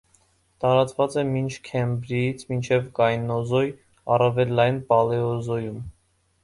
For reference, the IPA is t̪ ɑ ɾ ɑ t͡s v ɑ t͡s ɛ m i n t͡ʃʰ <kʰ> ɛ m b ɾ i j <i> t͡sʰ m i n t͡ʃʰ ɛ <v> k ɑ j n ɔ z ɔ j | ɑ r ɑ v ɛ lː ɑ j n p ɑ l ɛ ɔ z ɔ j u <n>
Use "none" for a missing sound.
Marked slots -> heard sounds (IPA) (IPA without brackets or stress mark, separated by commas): kʰ, i, v, m